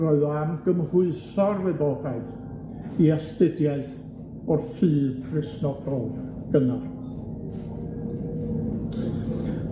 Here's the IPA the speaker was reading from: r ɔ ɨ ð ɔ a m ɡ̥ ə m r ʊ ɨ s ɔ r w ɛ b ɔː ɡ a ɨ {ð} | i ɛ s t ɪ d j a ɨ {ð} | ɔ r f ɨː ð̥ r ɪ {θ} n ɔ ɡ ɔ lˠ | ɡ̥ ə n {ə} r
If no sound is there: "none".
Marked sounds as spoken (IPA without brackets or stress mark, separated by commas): θ, θ, s, a